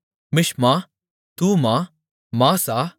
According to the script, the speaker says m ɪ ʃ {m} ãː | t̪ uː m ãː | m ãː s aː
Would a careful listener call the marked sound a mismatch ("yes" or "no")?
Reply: no